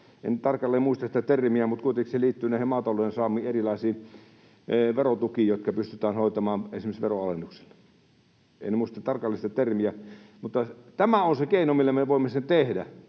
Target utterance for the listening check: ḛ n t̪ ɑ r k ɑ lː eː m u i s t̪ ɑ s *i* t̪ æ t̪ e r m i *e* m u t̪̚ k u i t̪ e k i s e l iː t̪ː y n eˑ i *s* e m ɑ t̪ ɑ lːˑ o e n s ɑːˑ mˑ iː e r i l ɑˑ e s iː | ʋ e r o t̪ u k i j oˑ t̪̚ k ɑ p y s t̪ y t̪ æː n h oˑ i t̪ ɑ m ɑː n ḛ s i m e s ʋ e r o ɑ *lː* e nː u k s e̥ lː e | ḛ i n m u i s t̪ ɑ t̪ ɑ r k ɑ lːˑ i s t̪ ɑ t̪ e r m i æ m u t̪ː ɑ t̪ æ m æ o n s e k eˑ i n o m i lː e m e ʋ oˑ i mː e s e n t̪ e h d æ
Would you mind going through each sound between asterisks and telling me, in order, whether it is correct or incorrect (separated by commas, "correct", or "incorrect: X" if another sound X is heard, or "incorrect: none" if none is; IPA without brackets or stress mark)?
correct, incorrect: æ, incorrect: h, incorrect: l